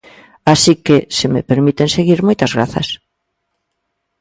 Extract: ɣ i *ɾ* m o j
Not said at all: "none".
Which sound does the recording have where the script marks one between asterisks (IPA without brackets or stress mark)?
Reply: ɾ